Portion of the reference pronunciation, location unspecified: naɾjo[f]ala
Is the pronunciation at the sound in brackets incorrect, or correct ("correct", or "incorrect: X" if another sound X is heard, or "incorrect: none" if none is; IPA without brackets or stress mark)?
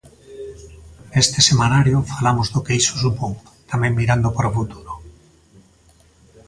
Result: correct